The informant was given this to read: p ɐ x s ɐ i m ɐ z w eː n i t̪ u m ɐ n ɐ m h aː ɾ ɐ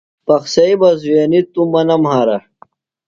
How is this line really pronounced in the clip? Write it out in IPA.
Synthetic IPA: p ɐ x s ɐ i b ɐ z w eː n i t̪ u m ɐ n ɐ m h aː ɾ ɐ